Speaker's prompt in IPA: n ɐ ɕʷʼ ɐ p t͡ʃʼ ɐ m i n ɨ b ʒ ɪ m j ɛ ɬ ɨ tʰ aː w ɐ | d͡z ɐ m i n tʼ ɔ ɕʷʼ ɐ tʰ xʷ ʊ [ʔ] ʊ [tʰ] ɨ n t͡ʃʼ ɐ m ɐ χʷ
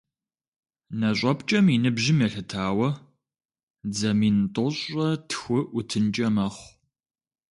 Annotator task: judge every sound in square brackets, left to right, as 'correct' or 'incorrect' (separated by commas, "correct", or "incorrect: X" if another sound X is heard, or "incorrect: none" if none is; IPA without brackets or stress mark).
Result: correct, correct